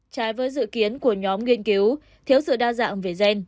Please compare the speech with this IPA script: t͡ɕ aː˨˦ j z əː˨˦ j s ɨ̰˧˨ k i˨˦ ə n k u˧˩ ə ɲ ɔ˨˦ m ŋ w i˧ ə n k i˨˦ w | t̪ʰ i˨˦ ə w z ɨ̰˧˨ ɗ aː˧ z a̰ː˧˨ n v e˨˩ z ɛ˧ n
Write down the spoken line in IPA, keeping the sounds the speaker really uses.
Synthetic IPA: t͡ɕ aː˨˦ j v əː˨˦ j z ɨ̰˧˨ k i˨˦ ə n k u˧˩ ə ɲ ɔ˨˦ m ŋ w i˧ ə n k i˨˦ w | t̪ʰ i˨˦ ə w s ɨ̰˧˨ ɗ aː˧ z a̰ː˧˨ ŋ v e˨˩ z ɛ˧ n

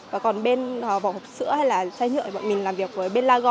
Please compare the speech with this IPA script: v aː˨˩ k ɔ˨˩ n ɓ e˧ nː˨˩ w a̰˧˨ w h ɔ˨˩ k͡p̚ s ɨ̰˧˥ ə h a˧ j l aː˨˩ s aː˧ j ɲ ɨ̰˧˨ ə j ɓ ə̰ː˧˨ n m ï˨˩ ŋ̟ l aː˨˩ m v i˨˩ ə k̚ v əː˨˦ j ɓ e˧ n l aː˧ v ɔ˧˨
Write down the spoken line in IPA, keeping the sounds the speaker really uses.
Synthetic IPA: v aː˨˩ k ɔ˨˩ n ɓ e˧ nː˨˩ v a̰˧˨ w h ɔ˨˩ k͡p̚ s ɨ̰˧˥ ə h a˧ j l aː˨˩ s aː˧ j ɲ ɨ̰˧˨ ə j ɓ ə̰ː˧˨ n m ï˨˩ ŋ̟ l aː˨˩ m v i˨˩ ə k̚ v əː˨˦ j ɓ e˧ n l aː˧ ɣ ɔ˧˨

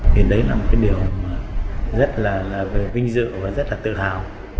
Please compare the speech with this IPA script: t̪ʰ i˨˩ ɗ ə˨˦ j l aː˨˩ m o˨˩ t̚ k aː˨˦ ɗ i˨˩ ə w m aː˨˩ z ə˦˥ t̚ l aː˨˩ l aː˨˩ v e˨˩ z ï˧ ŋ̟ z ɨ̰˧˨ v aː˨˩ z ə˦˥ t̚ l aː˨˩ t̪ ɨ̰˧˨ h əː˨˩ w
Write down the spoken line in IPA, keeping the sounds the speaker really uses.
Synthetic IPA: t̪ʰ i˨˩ ɗ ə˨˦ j l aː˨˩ m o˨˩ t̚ k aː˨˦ ɗ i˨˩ ə w m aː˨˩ z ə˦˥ t̚ l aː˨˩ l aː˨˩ v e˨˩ v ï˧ ŋ̟ z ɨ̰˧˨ v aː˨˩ z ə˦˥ t̚ l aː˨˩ t̪ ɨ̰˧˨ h aː˨˩ w

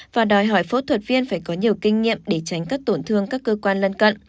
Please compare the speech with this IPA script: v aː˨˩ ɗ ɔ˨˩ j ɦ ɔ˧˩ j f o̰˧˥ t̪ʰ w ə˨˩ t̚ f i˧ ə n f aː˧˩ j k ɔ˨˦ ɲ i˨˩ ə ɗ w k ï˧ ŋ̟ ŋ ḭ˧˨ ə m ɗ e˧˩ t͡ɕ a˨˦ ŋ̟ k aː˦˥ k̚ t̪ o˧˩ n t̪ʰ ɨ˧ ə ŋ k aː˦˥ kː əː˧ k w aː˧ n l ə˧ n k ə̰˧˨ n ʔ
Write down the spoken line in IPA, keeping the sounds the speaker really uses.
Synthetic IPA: v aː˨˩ ɗ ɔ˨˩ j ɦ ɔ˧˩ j f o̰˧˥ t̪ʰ w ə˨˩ t̚ v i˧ ə n f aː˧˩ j k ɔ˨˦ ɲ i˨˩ ə w k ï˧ ŋ̟ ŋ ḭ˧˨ ə m ɗ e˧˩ t͡ɕ a˨˦ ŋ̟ k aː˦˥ k̚ t̪ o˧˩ n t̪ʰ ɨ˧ ə ŋ k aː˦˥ kː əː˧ k w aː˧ n l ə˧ n k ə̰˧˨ n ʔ

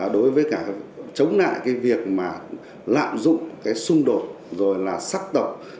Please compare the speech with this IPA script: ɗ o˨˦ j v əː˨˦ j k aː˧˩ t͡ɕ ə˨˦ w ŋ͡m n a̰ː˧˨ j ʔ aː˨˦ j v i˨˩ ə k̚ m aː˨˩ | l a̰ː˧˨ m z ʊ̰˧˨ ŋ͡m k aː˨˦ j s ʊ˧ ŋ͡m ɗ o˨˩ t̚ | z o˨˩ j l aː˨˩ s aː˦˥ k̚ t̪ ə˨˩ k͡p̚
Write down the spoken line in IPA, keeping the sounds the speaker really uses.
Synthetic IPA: ɗ o˨˦ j v əː˨˦ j k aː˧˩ t͡ɕ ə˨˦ w ŋ͡m n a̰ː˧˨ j k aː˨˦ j v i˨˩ ə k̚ m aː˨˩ | l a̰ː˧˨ m z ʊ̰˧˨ ŋ͡m k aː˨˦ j s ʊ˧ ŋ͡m ɗ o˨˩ t̚ | z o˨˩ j l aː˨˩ s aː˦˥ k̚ t̪ ə˨˩ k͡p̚

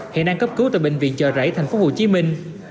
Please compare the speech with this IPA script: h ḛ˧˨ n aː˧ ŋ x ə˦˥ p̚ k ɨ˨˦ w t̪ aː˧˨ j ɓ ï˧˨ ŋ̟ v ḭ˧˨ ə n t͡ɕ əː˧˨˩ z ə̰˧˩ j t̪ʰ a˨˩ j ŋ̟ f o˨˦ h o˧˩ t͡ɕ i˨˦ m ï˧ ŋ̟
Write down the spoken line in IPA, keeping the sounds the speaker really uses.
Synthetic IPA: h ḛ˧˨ n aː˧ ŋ k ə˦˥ p̚ k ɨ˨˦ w t̪ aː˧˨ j ɓ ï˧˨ ŋ̟ v ḭ˧˨ ə n t͡ɕ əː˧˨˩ z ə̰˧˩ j t̪ʰ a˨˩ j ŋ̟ f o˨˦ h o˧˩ t͡ɕ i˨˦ m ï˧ ŋ̟

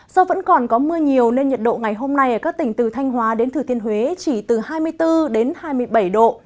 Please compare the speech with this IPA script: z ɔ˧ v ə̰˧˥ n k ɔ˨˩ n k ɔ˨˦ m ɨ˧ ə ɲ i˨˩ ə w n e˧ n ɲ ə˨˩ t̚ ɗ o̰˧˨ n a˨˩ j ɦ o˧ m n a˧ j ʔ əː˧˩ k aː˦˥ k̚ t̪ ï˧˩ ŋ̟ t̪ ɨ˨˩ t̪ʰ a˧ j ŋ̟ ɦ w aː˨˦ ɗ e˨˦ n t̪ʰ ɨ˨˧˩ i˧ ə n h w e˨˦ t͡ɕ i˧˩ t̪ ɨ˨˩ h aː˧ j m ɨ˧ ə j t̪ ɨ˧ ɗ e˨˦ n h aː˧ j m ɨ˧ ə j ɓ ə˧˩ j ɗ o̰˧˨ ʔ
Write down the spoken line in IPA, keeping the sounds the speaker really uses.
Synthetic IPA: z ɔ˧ v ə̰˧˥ n k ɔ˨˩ n k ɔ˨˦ m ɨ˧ ə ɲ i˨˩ ə w n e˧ n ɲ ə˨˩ t̚ ɗ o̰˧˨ ŋ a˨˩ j ɦ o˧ m n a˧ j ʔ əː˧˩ k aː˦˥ k̚ t̪ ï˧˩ ŋ̟ t̪ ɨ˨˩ t̪ʰ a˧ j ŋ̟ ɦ w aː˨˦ ɗ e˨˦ n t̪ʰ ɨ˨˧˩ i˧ ə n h w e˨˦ t͡ɕ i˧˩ t̪ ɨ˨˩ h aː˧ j m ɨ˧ ə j t̪ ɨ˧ ɗ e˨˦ n h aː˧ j m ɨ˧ ə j ɓ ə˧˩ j ɗ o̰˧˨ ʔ

